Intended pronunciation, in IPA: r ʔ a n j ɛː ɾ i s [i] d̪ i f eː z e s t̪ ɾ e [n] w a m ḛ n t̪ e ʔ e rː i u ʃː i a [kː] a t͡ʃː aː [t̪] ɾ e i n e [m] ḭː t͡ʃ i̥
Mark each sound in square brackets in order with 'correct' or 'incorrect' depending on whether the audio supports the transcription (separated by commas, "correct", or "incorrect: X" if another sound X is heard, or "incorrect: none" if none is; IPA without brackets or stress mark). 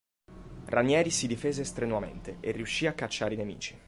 correct, correct, correct, incorrect: none, correct